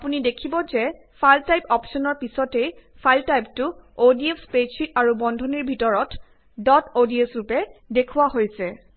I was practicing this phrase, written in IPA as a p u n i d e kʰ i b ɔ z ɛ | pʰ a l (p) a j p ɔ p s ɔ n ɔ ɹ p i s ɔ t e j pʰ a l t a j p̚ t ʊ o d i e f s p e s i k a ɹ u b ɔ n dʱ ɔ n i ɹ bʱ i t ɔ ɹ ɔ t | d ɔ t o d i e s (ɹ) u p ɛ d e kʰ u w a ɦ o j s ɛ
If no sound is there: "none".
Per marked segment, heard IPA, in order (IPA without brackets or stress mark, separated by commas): t, ɹ